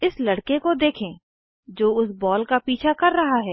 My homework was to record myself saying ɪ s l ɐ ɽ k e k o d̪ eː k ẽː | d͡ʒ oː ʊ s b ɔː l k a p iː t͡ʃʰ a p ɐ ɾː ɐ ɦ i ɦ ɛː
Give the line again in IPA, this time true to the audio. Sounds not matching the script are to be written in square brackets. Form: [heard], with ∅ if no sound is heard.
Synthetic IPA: ɪ s l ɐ ɽ k e k o d̪ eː [kʰ] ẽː | d͡ʒ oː ʊ s b ɔː l k a p iː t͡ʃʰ a [k] ɐ ɾː ɐ ɦ [a] ɦ ɛː